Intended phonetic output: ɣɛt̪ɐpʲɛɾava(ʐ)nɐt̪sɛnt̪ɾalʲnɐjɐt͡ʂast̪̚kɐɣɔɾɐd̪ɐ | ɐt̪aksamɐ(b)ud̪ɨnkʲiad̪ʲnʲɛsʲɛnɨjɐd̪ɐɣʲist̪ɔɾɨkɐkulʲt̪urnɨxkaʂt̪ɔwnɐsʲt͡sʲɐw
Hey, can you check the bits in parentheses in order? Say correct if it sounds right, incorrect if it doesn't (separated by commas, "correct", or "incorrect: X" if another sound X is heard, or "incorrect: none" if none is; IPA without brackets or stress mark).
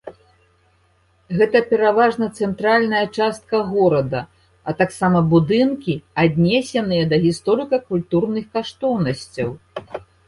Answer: correct, correct